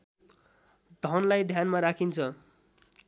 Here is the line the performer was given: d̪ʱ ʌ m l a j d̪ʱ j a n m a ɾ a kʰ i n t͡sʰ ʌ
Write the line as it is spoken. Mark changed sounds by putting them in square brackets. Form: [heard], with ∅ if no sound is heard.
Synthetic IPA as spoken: d̪ʱ ʌ [n] l a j d̪ʱ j a n m a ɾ a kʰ i n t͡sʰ ʌ